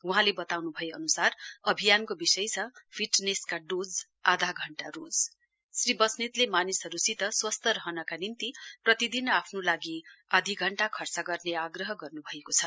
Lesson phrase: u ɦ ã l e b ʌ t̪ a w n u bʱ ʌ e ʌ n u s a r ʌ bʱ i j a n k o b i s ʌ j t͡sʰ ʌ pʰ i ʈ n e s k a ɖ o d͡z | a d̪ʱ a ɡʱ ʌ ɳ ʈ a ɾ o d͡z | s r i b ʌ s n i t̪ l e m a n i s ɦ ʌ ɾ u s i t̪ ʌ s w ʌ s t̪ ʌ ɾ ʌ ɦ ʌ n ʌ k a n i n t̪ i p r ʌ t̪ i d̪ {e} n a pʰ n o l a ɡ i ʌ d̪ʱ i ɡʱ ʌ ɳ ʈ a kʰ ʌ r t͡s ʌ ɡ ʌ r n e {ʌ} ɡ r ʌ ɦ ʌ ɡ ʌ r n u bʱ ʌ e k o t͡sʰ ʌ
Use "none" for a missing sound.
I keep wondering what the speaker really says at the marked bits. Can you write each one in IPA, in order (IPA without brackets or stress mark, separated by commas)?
i, a